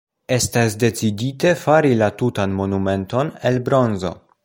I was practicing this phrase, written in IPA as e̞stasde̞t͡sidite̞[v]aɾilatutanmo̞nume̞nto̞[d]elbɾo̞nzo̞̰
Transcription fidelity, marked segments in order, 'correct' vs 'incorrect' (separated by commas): incorrect, incorrect